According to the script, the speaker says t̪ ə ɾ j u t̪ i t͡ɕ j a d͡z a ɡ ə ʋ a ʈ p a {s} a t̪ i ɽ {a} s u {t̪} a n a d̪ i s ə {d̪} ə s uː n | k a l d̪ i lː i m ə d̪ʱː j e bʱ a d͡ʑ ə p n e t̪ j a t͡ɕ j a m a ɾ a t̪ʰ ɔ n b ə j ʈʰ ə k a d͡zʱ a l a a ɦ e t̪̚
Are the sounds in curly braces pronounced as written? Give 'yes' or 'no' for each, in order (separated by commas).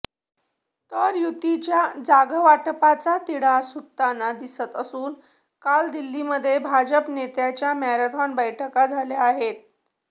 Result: no, yes, yes, no